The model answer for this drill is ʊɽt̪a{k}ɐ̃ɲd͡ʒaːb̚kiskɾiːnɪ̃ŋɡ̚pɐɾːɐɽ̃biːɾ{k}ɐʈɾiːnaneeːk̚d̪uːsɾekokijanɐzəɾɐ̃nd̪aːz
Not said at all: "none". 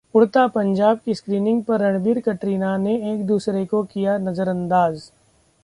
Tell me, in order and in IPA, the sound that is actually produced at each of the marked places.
p, k

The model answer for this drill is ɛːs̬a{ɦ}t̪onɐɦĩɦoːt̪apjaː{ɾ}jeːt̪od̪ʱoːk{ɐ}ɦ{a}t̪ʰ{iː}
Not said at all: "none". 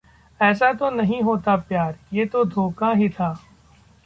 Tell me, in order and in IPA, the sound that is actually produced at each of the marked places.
none, ɾ, a, i, aː

